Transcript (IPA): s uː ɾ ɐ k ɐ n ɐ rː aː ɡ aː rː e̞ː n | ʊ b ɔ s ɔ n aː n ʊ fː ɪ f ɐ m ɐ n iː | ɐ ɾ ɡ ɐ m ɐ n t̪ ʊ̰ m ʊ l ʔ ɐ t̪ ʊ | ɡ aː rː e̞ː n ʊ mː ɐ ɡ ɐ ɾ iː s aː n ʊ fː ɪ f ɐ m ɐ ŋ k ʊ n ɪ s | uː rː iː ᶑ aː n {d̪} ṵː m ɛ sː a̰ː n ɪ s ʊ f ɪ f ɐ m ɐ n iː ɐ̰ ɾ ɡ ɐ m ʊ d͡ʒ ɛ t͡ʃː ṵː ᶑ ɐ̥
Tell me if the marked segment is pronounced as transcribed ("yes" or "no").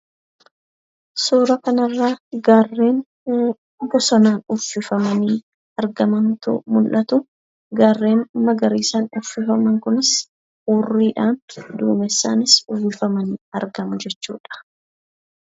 yes